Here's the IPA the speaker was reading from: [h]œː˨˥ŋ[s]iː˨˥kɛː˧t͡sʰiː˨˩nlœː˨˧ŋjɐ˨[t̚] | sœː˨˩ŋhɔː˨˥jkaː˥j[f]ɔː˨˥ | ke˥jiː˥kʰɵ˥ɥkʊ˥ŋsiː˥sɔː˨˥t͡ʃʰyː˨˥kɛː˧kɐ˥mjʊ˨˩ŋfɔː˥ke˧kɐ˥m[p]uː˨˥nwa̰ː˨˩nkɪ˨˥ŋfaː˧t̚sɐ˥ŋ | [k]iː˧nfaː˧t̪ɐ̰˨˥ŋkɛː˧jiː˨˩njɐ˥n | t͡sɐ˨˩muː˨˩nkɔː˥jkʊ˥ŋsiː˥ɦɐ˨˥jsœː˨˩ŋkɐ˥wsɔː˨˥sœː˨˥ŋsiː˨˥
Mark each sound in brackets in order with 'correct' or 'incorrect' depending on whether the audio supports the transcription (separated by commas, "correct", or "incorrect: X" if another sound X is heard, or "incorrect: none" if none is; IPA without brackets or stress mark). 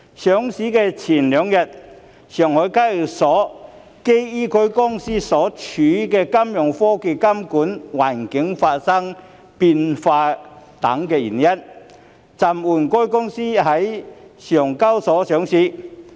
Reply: incorrect: s, correct, correct, incorrect: s, incorrect: k, incorrect: p